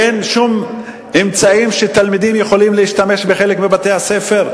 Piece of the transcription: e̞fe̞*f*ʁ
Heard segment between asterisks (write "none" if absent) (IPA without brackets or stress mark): none